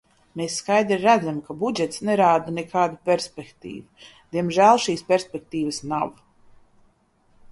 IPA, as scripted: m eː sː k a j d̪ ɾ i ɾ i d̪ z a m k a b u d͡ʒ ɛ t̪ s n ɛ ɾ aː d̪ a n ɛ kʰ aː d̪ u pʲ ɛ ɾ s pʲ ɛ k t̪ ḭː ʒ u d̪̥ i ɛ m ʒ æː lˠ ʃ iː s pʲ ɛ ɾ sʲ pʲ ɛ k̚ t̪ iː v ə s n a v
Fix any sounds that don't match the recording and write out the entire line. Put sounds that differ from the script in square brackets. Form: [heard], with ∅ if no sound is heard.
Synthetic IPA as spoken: m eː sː k a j d̪ ɾ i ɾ [æ] d̪ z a m k a b u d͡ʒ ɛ t̪ s n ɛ ɾ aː d̪ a n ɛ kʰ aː d̪ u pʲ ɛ ɾ s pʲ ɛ k t̪ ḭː [v] u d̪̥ i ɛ m ʒ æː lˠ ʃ iː s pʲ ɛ ɾ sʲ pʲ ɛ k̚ t̪ iː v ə s n a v